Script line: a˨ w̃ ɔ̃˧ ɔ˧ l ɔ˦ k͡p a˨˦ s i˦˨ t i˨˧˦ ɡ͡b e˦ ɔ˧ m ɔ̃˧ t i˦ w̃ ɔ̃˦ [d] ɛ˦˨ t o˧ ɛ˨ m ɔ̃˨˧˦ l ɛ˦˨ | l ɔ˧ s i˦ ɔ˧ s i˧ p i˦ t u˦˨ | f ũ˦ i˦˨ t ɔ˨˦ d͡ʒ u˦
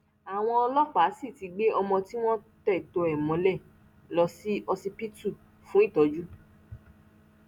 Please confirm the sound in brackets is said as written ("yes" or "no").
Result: no